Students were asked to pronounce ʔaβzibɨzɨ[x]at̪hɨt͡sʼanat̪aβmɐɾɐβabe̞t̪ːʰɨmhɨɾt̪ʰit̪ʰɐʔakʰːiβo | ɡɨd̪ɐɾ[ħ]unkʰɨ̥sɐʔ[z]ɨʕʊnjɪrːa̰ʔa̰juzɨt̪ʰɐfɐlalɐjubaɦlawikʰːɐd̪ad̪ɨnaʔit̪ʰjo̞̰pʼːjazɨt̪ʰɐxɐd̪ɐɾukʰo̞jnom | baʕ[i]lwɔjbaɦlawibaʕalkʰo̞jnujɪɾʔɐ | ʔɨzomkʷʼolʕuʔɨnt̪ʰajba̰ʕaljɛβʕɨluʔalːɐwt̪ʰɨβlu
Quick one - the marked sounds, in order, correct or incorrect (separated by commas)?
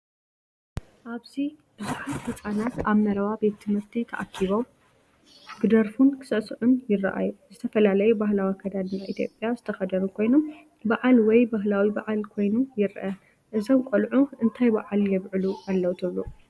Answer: incorrect, incorrect, incorrect, incorrect